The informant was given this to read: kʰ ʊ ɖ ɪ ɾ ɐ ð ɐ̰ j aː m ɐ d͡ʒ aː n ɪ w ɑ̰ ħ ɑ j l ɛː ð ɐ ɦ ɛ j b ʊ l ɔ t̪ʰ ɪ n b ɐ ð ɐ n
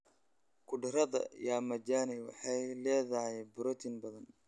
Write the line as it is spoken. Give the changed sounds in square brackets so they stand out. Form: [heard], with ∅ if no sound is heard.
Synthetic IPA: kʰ ʊ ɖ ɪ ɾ ɐ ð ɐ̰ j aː m ɐ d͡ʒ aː n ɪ w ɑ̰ ħ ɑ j l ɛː ð ɐ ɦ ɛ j b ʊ [ɾ] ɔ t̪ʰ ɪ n b ɐ ð ɐ n